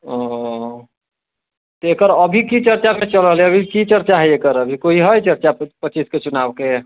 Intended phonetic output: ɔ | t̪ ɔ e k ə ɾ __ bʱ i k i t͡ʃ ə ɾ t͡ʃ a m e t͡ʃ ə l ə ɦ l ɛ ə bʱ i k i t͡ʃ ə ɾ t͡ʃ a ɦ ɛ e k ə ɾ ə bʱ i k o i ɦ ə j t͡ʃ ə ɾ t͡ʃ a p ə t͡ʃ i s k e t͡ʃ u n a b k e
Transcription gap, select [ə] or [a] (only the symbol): ə